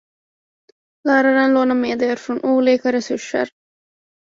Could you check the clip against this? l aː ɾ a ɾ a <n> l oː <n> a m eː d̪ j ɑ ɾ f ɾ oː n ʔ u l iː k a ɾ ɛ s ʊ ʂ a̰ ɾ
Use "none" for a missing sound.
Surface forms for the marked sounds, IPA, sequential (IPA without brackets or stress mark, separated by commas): n, n